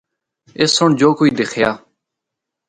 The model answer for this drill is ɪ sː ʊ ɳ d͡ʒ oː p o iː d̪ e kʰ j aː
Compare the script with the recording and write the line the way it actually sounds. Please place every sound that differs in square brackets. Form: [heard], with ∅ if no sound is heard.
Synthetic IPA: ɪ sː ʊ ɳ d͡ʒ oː [k] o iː d̪ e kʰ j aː